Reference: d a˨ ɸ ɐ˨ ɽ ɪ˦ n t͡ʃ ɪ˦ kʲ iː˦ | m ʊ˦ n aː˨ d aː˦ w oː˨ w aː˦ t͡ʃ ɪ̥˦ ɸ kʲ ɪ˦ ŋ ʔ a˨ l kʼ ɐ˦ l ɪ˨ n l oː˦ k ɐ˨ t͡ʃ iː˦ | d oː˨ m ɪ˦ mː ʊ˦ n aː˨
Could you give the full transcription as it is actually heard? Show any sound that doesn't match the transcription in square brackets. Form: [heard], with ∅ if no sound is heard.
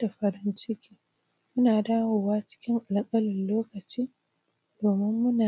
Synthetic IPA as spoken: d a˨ ɸ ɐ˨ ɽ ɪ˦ n t͡ʃ ɪ˦ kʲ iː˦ | m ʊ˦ n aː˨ d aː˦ w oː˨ w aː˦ t͡ʃ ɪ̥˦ [∅] kʲ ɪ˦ ŋ ʔ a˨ l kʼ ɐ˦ l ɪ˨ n l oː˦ k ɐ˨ t͡ʃ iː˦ | d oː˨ m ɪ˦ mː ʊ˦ n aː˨